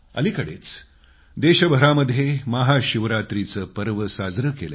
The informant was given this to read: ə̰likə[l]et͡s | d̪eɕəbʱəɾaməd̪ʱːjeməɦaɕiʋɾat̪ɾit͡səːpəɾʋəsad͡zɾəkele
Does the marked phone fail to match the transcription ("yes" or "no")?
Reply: yes